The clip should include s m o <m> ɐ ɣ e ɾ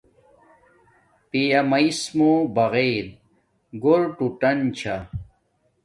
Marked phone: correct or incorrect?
incorrect